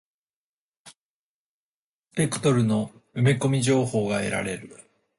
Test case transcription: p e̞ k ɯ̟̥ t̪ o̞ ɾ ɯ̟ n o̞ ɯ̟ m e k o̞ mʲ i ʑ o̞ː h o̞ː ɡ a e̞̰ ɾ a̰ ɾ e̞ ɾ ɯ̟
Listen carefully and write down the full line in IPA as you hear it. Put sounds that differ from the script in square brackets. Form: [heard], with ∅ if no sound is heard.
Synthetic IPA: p e̞ k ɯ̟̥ t̪ o̞ ɾ ɯ̟ n o̞ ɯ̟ m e k o̞ mʲ i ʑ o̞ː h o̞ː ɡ a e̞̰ ɾ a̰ ɾ e̞ ɾ ɯ̟